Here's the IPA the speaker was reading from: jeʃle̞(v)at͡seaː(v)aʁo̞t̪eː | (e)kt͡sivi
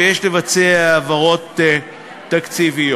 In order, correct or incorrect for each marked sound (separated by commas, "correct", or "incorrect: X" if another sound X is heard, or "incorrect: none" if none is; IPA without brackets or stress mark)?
correct, correct, incorrect: a